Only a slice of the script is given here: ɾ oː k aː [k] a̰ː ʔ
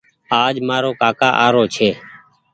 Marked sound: correct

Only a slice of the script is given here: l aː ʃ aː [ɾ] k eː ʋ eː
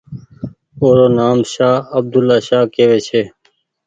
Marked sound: incorrect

